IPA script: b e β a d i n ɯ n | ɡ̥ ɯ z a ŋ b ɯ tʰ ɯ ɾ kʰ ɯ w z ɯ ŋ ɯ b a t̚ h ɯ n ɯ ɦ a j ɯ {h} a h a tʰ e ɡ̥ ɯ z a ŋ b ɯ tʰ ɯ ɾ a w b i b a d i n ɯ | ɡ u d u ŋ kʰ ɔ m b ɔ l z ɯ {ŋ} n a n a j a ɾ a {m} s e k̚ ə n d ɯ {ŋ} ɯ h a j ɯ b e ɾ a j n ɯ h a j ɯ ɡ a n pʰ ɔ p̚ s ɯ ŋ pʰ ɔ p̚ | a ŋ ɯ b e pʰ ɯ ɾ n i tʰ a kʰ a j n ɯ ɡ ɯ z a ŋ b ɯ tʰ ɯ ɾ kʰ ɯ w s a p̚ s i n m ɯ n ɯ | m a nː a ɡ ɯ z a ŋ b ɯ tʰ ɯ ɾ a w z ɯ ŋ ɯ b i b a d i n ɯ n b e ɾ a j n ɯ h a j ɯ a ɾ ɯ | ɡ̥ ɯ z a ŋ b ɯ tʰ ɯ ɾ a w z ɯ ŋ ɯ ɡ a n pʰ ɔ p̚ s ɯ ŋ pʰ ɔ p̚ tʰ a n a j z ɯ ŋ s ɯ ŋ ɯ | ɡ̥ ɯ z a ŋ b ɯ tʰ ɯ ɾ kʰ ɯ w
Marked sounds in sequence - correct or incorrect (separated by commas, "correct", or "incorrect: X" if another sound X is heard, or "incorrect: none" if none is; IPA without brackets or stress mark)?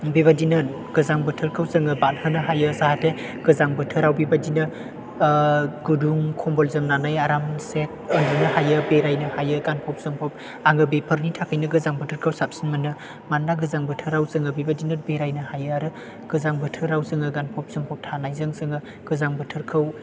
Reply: incorrect: s, incorrect: m, correct, incorrect: n